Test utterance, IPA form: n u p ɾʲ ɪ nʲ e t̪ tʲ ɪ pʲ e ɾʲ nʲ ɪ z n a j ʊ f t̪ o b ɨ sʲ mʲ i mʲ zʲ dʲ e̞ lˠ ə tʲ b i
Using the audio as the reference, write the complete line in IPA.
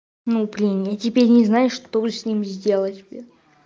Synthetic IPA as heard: n u p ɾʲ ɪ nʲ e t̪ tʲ ɪ pʲ e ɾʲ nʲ ɪ z n a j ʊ ʂ t̪ o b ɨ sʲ nʲ i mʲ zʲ dʲ e̞ lˠ ə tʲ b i